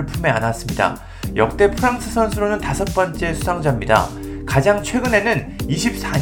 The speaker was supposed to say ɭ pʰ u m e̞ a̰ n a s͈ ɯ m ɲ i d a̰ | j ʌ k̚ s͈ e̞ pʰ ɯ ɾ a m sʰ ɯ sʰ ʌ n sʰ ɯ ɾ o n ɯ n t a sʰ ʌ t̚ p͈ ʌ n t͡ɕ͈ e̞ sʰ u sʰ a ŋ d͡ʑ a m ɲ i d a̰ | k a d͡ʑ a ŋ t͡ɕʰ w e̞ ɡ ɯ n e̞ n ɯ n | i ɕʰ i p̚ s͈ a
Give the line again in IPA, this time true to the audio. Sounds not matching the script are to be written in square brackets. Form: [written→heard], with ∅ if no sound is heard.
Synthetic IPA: ɭ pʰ u m e̞ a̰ n a s͈ ɯ m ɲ i d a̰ | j ʌ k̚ [s͈→t͈] e̞ pʰ ɯ ɾ a [m→ŋ] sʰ ɯ sʰ ʌ n sʰ ɯ ɾ o n ɯ n t a sʰ ʌ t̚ p͈ ʌ n t͡ɕ͈ e̞ sʰ u sʰ a ŋ d͡ʑ a m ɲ i d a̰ | k a d͡ʑ a ŋ t͡ɕʰ w e̞ ɡ ɯ n e̞ n ɯ n | i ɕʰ i p̚ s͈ a